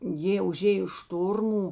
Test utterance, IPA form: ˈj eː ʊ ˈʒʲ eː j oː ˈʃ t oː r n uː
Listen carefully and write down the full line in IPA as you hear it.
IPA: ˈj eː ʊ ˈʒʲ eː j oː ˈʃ t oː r m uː